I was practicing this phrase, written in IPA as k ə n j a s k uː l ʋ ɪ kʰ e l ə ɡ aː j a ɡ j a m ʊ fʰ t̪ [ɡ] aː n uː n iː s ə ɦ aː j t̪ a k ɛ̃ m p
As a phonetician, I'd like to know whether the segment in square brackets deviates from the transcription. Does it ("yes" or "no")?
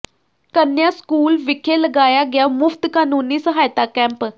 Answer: yes